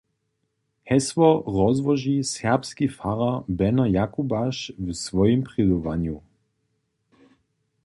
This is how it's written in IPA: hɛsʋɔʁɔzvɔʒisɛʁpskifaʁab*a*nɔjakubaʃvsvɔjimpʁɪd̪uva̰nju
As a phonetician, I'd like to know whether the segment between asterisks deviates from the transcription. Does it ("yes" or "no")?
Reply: yes